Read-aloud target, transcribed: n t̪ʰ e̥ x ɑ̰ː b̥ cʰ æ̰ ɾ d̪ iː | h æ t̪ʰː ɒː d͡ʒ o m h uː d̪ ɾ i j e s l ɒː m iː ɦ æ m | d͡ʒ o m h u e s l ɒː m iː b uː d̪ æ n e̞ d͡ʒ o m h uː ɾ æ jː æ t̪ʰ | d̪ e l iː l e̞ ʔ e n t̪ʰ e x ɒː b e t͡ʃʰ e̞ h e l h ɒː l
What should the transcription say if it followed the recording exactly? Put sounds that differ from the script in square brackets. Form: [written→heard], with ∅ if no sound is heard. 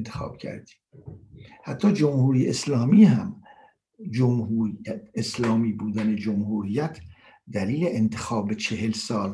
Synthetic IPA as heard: n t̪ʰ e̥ x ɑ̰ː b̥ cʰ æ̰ ɾ d̪ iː | h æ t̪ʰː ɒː d͡ʒ o m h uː [d̪→∅] ɾ i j e s l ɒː m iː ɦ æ m | d͡ʒ o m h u e s l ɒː m iː b uː d̪ æ n e̞ d͡ʒ o m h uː ɾ [æ→i] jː æ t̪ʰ | d̪ [e→æ] l iː l e̞ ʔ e n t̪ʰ e x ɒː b e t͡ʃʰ e̞ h e l [h→s] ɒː l